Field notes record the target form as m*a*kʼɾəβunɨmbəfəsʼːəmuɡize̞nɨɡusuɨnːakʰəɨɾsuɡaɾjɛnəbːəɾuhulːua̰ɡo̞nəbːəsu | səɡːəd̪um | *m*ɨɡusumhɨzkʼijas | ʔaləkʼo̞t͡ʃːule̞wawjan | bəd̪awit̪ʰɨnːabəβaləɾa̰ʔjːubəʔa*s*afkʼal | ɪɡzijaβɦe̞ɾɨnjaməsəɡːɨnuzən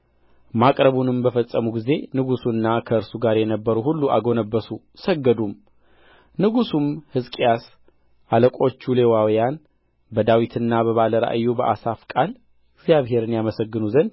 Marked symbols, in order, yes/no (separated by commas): yes, no, yes